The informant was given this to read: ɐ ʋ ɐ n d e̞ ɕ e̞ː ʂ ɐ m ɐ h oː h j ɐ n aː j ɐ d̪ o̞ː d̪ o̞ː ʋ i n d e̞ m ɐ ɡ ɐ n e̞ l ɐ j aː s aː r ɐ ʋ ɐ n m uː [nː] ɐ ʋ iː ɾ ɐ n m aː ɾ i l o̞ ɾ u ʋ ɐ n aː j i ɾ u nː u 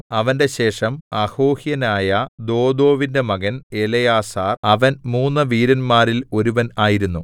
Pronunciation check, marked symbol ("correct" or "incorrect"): correct